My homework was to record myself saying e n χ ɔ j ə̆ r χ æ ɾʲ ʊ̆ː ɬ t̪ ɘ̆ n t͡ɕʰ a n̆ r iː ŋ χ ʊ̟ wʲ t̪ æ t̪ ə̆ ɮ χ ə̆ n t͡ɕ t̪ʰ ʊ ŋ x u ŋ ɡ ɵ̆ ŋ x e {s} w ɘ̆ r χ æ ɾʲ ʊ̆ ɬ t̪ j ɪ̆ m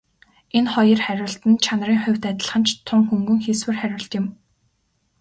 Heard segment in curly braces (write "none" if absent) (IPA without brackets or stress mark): s